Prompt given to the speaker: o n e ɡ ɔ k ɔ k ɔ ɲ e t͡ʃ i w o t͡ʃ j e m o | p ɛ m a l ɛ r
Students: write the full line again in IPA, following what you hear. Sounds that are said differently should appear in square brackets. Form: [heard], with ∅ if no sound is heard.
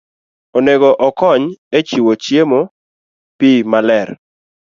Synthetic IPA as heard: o n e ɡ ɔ [ʔ] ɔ k ɔ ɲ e t͡ʃ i w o t͡ʃ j e m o | p [i] m a l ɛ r